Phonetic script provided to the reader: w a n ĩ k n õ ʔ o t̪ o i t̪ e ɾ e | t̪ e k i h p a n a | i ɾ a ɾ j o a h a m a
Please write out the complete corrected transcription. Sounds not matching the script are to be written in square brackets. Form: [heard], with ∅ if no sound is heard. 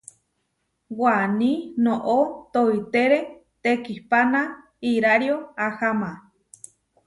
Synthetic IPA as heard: w a n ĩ [∅] n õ ʔ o t̪ o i t̪ e ɾ e | t̪ e k i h p a n a | i ɾ a ɾ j o a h a m a

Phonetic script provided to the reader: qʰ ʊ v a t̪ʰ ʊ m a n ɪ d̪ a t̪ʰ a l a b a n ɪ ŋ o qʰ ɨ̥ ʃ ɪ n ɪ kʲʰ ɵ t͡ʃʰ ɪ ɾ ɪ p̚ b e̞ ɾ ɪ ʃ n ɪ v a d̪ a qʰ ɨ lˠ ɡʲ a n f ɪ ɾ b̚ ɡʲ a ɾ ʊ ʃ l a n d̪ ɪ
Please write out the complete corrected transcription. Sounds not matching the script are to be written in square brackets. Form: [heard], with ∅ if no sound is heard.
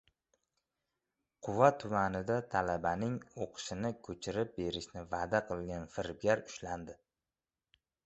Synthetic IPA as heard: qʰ ʊ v a t̪ʰ ʊ m a n ɪ d̪ a t̪ʰ a l a b a n ɪ ŋ o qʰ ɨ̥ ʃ ɪ n ɪ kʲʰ ɵ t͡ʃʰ ɪ ɾ ɪ p̚ b e̞ ɾ ɪ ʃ n ɪ v a d̪ a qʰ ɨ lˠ ɡʲ a n f ɪ ɾ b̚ ɡʲ a ɾ ʊ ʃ l a n d̪ ɪ

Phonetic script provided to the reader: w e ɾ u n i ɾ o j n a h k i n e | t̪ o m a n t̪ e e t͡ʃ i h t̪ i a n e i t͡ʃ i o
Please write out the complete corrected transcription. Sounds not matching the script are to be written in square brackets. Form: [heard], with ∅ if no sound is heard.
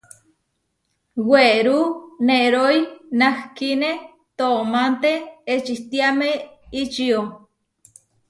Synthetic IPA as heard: w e ɾ u n [e] ɾ o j n a h k i n e | t̪ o m a n t̪ e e t͡ʃ i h t̪ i a [m] e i t͡ʃ i o

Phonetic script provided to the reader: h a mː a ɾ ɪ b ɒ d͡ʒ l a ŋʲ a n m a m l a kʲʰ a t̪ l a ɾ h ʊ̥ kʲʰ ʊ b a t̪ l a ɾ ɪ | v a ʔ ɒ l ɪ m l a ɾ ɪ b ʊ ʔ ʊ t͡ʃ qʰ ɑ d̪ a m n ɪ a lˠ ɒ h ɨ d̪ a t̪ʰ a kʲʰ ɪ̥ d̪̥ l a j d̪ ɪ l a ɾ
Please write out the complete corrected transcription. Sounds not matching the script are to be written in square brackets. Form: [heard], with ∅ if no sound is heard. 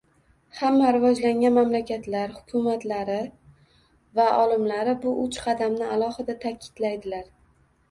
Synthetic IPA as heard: h a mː a ɾ ɪ [v] ɒ d͡ʒ l a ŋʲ a n m a m l a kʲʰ a t̪ l a ɾ h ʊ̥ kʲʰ ʊ [m] a t̪ l a ɾ ɪ | v a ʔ ɒ l ɪ m l a ɾ ɪ b ʊ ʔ ʊ t͡ʃ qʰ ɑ d̪ a m n ɪ a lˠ ɒ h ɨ d̪ a t̪ʰ a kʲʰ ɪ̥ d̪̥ l a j d̪ ɪ l a ɾ

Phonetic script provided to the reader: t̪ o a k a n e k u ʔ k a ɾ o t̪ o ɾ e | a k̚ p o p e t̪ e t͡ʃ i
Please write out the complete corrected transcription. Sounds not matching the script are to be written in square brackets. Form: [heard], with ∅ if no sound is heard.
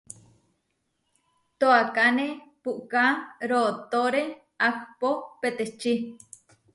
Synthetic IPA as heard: t̪ o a k a n e [p] u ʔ k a ɾ o t̪ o ɾ e | a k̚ p o p e t̪ e t͡ʃ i

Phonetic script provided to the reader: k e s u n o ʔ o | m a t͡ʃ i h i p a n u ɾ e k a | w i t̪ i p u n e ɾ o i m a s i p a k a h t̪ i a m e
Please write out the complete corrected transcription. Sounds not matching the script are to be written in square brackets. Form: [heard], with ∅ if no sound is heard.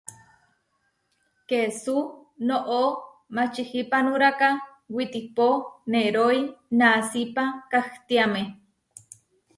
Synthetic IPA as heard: k e s u n o ʔ o | m a t͡ʃ i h i p a n u ɾ [a] k a | w i t̪ i p [o] n e ɾ o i [n] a s i p a k a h t̪ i a m e

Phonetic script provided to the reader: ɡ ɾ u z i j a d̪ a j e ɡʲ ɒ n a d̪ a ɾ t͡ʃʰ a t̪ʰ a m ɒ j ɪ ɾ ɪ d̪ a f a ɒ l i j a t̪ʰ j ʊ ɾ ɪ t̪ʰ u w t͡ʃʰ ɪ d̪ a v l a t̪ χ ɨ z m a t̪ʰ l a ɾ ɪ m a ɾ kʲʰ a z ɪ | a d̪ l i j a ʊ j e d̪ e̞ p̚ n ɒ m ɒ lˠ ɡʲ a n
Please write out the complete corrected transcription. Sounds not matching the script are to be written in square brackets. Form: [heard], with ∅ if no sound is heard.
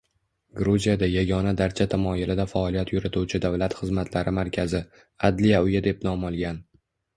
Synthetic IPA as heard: ɡ ɾ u z i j a d̪ a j [a] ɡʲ ɒ n a d̪ a ɾ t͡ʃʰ a t̪ʰ a m ɒ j ɪ [l] ɪ d̪ a f a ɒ l i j a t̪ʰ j ʊ ɾ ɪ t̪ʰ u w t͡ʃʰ ɪ d̪ a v l a t̪ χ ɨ z m a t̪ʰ l a ɾ ɪ m a ɾ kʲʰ a z ɪ | a d̪ l i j a ʊ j [a] d̪ e̞ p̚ n ɒ m ɒ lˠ ɡʲ a n

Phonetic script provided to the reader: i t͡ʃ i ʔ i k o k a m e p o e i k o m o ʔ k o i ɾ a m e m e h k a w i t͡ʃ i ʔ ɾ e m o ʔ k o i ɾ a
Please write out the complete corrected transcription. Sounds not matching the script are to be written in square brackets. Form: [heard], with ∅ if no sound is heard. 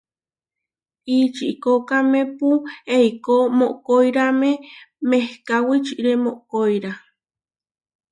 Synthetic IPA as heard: i t͡ʃ i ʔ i k o k a m e p [u] e i k o m o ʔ k o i ɾ a m e m e h k a w i t͡ʃ i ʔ ɾ e m o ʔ k o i ɾ a

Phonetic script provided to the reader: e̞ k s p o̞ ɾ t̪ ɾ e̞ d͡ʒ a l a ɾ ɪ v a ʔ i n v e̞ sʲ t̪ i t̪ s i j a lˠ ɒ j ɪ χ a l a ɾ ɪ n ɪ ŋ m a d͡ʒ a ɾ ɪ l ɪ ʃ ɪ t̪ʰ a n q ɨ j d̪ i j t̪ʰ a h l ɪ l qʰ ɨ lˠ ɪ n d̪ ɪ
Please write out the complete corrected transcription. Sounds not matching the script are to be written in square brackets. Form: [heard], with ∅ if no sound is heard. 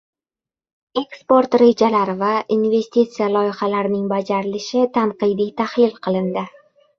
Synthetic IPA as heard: e̞ k s p o̞ ɾ t̪ ɾ e̞ d͡ʒ a l a ɾ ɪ v a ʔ i n v e̞ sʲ t̪ i t̪ s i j a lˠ ɒ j ɪ χ a l a ɾ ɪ n ɪ ŋ [b] a d͡ʒ a ɾ ɪ l ɪ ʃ ɪ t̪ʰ a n q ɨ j d̪ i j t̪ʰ a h l ɪ l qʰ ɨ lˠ ɪ n d̪ ɪ

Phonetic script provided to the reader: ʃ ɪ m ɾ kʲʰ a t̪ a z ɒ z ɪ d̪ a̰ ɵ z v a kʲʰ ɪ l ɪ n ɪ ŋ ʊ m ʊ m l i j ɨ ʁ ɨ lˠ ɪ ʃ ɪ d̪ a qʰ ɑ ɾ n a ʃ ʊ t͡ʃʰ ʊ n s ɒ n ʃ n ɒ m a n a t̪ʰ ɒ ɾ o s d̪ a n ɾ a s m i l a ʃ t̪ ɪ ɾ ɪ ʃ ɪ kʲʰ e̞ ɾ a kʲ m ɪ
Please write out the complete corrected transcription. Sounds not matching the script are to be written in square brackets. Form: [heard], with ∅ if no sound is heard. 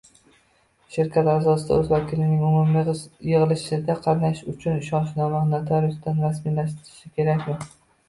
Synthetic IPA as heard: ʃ ɪ [∅] ɾ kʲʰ a t̪ a z ɒ [s] ɪ d̪ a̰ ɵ z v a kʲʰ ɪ l ɪ n ɪ ŋ ʊ m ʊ m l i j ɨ ʁ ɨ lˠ ɪ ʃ ɪ d̪ a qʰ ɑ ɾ n a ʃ ʊ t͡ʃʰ ʊ n [ʃ] ɒ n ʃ n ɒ m a n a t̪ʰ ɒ ɾ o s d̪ a n ɾ a s m i l a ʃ t̪ ɪ ɾ ɪ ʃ ɪ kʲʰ e̞ ɾ a kʲ m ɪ

